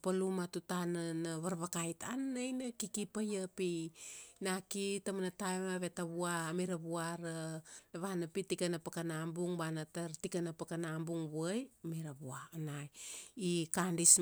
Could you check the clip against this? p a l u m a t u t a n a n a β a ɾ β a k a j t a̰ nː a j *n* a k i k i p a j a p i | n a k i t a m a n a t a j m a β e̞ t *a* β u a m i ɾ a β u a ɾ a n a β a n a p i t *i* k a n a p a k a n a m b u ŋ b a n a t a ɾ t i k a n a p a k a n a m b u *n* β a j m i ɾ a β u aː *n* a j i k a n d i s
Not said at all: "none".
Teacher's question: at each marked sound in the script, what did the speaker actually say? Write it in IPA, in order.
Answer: n, a, i, ŋ, n

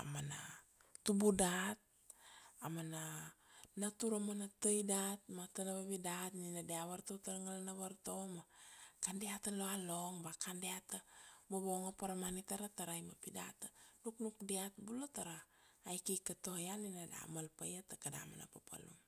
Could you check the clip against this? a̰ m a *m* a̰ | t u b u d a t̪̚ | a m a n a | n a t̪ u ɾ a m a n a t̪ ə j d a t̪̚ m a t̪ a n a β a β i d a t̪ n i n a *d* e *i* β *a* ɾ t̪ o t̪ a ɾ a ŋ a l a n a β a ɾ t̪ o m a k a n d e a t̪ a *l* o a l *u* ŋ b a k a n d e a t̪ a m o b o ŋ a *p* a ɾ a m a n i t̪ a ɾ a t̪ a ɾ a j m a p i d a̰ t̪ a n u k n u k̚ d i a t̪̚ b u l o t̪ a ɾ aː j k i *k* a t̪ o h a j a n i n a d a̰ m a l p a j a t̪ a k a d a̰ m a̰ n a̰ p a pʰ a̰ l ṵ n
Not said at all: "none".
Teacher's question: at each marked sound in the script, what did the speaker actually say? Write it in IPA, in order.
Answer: n, d, a, a, l, o, p, k

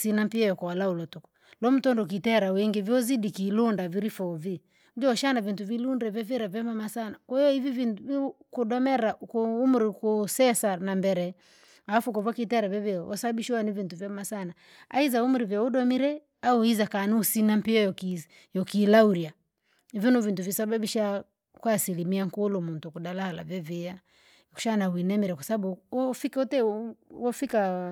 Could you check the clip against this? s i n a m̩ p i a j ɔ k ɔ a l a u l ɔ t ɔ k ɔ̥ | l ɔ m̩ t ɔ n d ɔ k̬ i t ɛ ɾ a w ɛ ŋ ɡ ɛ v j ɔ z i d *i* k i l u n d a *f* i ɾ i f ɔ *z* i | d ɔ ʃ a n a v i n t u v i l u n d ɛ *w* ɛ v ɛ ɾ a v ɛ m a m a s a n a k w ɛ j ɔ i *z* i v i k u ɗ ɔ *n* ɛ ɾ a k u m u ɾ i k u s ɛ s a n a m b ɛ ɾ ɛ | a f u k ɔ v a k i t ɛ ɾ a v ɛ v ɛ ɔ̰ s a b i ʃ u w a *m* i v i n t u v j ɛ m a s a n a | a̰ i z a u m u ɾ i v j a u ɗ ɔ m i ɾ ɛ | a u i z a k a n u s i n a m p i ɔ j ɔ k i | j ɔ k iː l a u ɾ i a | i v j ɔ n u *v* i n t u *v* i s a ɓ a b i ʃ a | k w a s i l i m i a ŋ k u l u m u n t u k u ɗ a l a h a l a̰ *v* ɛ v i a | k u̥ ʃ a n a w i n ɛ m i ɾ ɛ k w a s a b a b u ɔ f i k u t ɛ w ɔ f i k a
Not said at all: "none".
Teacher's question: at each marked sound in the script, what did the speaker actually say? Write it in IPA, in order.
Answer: i, v, v, v, v, m, n, v, v, v

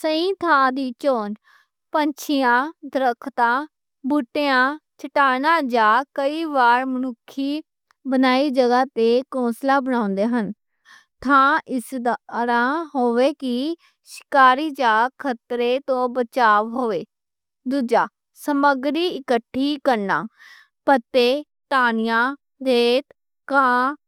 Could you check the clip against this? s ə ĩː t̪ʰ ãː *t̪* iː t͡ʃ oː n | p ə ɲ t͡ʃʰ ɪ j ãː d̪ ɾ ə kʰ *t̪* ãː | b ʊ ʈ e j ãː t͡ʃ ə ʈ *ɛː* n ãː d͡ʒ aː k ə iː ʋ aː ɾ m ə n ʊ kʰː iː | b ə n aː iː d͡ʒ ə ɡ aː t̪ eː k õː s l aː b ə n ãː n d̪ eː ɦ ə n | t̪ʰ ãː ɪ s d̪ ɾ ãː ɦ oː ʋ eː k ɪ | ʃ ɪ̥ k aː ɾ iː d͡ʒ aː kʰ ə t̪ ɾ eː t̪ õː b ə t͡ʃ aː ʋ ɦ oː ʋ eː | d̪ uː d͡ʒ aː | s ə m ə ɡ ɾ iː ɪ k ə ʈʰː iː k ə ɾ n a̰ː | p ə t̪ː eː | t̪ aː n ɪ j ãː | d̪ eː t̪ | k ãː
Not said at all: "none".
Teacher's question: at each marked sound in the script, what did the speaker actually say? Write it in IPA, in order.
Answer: d̪, t̪, aː

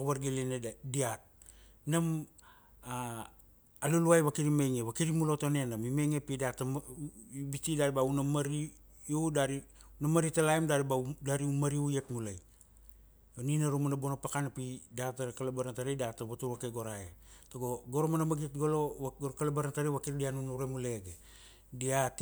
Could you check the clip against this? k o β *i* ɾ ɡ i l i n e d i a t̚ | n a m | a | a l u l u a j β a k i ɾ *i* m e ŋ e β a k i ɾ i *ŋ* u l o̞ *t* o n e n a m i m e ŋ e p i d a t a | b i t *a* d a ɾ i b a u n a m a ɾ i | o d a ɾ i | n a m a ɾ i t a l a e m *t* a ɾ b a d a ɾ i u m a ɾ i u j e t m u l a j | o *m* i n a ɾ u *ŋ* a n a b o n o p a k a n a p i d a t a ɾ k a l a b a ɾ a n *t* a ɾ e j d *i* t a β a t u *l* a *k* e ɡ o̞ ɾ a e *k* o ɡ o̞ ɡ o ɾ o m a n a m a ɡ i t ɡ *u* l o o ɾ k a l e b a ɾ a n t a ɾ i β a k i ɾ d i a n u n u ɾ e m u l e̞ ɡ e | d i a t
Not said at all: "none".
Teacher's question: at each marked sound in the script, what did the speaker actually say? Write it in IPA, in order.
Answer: a, i, m, t, i, d, n, m, t, a, ɾ, k, t, o

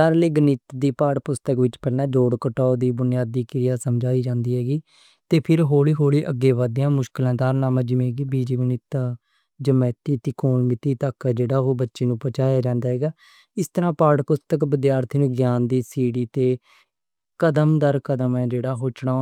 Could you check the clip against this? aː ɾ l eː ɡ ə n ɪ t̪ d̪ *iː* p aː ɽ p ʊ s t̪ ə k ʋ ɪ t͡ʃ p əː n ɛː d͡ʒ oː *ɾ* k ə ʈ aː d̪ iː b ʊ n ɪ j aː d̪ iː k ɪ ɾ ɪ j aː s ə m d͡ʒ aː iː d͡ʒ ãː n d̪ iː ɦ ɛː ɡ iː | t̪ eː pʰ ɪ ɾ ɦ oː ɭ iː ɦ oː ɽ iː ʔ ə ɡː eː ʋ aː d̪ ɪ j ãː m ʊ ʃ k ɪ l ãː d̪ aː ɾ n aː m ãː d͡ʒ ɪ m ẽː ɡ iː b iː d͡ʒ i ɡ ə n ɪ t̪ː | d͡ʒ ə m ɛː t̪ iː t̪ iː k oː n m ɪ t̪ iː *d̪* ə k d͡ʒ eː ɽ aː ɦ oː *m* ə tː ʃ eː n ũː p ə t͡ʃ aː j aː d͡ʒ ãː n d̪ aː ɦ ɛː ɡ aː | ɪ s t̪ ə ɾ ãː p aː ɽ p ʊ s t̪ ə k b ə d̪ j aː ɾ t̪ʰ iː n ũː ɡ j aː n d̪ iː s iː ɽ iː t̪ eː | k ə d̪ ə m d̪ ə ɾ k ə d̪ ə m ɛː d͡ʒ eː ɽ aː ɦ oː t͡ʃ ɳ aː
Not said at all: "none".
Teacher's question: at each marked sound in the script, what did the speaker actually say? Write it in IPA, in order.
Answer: iː, ɽ, t̪, b

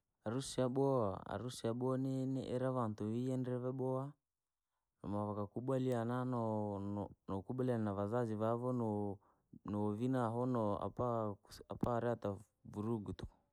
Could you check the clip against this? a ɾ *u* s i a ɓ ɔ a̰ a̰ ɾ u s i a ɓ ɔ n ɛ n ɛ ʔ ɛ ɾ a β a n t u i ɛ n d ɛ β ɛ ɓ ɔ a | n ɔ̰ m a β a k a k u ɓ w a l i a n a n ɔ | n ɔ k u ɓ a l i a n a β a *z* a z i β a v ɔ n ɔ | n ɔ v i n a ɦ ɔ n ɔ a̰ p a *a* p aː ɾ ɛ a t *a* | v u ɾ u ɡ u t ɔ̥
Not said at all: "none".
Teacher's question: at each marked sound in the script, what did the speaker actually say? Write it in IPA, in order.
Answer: u, z, a, a

